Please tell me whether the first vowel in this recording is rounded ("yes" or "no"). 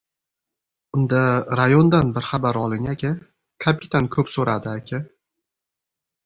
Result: yes